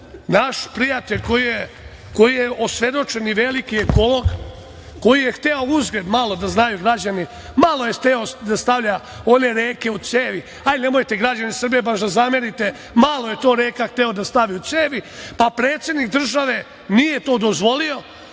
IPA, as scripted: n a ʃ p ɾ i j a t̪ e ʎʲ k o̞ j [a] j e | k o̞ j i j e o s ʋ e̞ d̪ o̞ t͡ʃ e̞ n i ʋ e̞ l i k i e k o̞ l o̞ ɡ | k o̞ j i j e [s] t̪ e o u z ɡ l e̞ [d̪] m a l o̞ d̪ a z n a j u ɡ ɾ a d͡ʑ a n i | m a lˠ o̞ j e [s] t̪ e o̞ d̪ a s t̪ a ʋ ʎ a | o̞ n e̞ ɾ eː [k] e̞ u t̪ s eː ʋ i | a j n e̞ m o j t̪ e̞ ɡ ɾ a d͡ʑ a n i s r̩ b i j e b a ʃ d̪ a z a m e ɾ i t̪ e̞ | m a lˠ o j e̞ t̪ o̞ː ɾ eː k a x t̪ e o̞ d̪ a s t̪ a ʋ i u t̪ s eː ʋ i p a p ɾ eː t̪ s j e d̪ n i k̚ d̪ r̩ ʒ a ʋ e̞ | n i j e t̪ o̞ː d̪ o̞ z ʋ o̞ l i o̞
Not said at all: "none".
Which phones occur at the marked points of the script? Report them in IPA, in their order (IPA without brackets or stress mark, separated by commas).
i, x, d̪, x, k